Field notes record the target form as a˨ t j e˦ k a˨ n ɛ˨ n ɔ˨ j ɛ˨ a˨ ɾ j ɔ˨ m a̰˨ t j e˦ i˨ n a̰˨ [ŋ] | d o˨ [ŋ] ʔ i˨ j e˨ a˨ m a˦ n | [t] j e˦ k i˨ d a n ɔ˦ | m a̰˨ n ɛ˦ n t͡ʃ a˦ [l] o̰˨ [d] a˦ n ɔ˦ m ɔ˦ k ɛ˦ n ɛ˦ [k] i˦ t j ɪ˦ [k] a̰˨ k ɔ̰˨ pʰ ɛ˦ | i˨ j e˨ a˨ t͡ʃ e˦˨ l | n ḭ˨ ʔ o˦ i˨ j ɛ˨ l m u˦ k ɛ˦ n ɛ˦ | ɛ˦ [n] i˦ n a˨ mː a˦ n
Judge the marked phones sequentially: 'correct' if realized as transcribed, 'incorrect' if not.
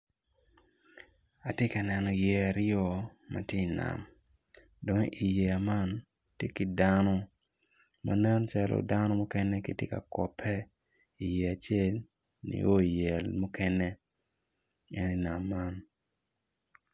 incorrect: m, correct, correct, correct, correct, correct, correct, correct

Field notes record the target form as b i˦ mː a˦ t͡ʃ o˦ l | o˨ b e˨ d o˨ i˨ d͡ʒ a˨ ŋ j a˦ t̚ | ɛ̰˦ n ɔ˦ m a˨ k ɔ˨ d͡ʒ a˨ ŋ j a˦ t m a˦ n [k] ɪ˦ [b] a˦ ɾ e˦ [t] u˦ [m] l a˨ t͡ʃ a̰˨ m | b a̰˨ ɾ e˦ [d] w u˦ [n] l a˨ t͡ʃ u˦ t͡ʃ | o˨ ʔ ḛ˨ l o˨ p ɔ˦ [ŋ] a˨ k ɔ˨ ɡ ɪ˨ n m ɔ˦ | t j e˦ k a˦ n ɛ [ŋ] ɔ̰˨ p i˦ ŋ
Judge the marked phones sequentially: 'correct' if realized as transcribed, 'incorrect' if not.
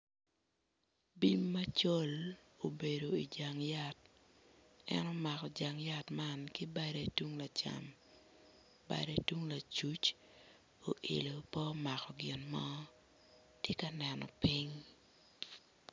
correct, correct, correct, incorrect: ŋ, incorrect: t, incorrect: ŋ, incorrect: m, incorrect: n

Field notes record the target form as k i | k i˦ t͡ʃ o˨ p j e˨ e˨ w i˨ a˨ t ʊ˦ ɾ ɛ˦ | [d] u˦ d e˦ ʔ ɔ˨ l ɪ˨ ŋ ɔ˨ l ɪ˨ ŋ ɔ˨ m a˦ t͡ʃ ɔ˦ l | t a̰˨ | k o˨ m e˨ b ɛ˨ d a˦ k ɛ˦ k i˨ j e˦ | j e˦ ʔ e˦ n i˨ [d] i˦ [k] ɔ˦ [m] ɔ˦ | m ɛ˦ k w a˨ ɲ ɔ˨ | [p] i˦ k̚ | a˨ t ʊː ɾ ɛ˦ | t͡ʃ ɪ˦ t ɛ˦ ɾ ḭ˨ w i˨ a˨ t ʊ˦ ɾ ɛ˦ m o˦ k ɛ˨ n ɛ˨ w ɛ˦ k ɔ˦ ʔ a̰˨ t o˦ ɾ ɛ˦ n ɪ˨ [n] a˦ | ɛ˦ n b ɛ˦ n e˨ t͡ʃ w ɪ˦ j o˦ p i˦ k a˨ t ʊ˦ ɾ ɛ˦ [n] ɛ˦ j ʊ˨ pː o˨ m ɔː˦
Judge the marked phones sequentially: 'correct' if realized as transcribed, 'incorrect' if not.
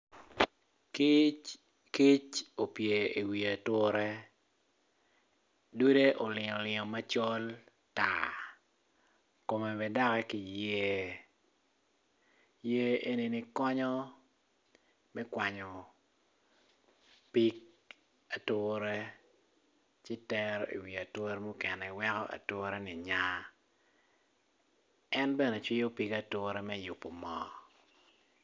correct, incorrect: n, correct, incorrect: ɲ, correct, incorrect: ɲ, incorrect: m

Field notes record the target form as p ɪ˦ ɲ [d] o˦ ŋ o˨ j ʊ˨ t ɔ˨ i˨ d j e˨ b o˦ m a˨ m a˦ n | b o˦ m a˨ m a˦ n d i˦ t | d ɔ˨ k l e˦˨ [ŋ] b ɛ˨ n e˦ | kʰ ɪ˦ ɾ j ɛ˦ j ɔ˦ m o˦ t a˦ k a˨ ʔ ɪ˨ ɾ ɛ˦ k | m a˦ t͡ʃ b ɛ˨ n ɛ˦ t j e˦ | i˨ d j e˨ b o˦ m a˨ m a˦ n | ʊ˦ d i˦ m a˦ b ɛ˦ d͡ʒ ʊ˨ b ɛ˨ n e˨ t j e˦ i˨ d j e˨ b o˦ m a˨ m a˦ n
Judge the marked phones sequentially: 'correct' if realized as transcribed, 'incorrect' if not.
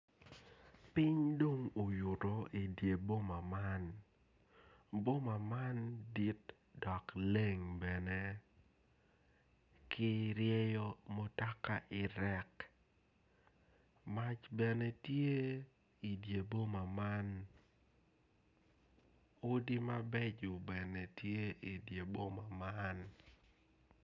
correct, correct

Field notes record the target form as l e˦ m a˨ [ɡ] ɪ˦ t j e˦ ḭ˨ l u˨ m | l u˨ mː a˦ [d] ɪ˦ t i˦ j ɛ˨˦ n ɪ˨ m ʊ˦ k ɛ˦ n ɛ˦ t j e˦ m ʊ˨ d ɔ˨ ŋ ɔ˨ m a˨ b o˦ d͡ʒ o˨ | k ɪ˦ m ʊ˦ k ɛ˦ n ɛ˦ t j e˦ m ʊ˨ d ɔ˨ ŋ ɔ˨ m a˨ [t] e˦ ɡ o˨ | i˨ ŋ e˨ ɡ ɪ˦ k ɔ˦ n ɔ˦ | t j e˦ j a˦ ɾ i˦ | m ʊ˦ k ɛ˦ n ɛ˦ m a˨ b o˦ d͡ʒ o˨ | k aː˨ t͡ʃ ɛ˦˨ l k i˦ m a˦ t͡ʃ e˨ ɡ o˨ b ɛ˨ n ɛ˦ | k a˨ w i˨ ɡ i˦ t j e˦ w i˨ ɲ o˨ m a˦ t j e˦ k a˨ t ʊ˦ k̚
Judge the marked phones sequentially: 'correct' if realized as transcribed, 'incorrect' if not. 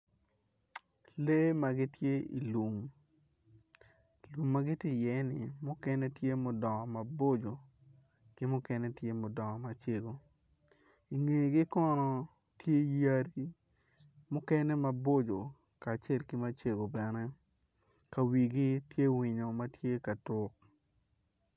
correct, incorrect: ɡ, incorrect: t͡ʃ

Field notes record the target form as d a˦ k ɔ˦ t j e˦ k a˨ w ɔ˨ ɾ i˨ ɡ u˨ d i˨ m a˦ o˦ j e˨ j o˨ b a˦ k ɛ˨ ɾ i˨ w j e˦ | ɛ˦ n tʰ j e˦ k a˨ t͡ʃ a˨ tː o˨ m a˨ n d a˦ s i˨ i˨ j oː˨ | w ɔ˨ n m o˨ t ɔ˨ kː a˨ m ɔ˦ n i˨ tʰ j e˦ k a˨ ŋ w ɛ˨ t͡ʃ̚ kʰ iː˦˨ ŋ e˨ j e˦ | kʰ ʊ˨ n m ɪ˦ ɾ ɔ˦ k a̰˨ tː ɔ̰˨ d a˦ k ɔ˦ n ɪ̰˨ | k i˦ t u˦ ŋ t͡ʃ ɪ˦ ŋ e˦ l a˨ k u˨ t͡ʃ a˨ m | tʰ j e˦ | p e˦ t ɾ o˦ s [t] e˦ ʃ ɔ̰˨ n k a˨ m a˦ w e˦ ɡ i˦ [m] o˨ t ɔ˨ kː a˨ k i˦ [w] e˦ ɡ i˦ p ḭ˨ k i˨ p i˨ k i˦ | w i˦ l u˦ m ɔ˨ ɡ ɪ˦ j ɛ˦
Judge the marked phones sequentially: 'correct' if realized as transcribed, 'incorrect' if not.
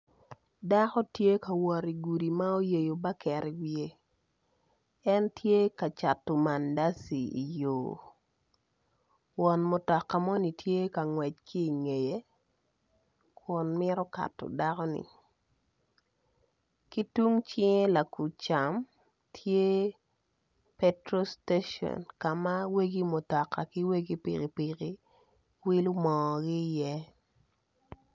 correct, correct, correct

